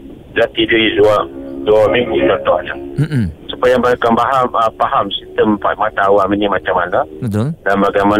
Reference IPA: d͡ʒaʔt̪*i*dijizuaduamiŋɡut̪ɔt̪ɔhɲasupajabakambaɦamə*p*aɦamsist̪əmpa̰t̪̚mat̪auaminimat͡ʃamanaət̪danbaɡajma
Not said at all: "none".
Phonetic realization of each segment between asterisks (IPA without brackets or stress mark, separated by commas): i, p